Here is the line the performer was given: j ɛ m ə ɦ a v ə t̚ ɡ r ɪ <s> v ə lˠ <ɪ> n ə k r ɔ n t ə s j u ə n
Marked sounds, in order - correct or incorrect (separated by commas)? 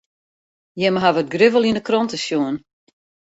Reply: incorrect, incorrect